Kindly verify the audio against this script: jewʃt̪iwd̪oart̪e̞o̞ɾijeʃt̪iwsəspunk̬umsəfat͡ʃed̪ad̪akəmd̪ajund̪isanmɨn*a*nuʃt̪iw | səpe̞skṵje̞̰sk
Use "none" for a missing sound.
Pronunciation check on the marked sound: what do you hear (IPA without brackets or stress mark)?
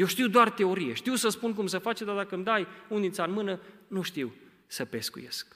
ə